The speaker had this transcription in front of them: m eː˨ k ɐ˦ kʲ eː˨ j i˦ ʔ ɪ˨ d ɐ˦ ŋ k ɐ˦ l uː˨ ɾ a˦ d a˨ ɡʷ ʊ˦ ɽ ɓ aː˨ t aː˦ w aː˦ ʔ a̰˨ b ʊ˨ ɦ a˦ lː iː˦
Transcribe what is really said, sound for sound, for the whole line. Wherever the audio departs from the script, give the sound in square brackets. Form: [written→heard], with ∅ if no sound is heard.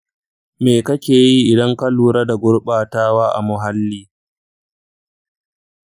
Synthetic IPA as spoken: m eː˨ k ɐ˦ kʲ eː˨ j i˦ ʔ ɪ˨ d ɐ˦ ŋ k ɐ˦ l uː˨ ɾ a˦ d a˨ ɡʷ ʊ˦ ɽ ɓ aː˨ t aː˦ w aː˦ ʔ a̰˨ [b→m] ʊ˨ ɦ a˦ lː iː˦